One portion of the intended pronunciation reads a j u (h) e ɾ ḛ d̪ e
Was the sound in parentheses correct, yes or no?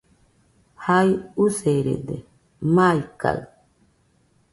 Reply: no